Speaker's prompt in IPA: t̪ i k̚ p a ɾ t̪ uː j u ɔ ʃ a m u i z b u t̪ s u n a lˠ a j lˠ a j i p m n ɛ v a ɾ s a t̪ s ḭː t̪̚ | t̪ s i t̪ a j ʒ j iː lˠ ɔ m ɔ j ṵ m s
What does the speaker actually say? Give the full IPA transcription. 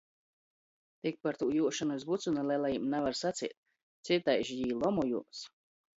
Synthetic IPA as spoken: t̪ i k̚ p a ɾ t̪ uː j u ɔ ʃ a n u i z b u t̪ s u n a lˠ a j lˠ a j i m n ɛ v a ɾ s a t̪ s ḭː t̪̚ | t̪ s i t̪ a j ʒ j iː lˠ ɔ m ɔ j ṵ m s